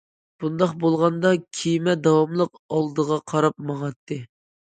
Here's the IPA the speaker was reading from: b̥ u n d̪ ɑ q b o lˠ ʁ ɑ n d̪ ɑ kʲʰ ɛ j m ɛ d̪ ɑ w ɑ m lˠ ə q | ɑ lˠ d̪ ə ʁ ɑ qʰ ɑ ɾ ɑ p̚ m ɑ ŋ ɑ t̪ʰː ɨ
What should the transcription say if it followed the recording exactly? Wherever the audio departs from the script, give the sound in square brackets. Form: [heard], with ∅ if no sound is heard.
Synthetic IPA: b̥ u n d̪ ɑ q b o lˠ ʁ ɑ n d̪ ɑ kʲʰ [i] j m ɛ d̪ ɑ w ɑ m lˠ ə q | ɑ lˠ d̪ ə ʁ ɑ qʰ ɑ ɾ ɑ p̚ m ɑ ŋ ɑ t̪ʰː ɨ